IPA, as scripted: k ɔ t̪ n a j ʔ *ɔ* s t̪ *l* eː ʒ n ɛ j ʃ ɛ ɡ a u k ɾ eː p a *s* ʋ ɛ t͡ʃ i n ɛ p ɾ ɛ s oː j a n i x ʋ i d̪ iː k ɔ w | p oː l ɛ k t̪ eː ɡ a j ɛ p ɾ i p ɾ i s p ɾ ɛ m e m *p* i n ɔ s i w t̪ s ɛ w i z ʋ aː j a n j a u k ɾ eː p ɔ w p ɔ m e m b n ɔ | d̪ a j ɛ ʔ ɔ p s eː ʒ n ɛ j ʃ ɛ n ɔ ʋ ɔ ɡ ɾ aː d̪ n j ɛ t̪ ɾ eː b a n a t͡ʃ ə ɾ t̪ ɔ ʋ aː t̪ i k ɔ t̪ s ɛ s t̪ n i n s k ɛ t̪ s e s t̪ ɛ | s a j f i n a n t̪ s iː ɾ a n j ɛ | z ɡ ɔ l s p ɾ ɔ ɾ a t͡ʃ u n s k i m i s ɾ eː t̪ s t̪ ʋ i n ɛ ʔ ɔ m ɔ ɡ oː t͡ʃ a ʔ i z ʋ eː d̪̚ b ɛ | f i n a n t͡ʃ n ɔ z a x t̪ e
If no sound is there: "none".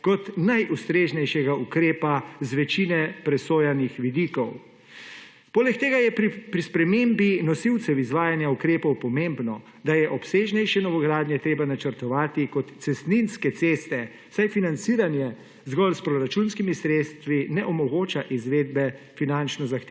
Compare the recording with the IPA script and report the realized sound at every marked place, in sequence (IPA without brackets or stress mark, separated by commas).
u, ɾ, z, b